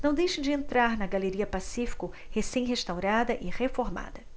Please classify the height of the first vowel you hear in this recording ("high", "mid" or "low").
low